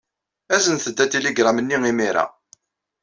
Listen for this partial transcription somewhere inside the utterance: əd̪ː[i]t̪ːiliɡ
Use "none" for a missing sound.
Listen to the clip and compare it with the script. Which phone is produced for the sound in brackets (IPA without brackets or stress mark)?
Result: æ